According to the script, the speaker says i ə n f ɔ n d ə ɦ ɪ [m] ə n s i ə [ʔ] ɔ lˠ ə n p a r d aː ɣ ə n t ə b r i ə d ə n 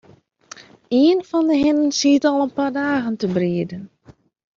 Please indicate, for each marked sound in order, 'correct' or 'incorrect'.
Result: incorrect, incorrect

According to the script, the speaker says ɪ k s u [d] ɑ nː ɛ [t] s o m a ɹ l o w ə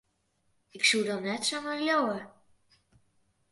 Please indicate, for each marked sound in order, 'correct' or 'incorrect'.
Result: correct, correct

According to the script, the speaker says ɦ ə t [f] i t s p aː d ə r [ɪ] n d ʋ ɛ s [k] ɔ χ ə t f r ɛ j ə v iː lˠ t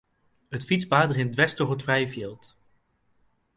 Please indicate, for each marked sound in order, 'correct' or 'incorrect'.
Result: correct, correct, incorrect

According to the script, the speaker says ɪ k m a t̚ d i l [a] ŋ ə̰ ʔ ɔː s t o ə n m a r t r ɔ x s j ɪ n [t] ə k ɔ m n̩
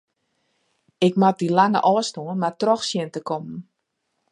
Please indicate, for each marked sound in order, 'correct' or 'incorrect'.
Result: correct, correct

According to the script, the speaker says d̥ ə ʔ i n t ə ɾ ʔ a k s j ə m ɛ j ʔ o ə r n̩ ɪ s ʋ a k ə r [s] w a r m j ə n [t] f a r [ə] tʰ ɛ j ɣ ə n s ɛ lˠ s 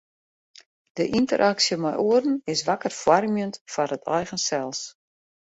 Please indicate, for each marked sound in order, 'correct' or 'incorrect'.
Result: incorrect, correct, correct

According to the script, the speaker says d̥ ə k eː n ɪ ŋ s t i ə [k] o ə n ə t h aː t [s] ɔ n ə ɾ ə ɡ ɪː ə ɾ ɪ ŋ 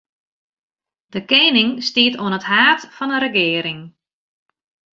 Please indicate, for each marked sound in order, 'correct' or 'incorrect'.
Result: incorrect, incorrect

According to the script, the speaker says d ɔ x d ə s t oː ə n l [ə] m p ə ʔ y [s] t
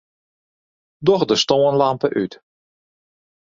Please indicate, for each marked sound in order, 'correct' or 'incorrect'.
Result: incorrect, incorrect

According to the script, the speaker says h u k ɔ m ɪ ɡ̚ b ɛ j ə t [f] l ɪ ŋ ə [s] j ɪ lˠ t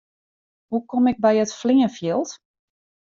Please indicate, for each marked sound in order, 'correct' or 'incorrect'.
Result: correct, incorrect

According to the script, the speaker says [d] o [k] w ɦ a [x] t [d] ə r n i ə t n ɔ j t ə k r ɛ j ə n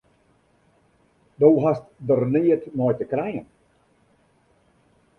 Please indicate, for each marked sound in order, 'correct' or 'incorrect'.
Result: correct, incorrect, incorrect, correct

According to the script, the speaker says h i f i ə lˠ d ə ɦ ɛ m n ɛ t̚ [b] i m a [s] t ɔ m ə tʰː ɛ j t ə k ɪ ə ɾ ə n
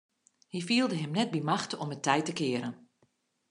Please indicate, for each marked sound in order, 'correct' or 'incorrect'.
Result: correct, incorrect

